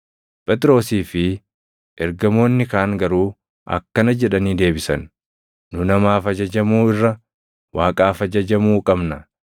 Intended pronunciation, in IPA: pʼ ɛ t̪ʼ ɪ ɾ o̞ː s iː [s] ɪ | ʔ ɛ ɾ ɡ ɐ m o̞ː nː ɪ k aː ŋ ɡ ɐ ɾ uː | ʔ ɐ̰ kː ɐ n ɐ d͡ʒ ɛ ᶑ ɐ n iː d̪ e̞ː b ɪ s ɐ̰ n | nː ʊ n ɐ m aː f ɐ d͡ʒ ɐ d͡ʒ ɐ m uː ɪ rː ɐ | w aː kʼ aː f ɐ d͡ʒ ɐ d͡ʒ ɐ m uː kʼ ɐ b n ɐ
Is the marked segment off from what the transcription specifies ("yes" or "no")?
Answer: yes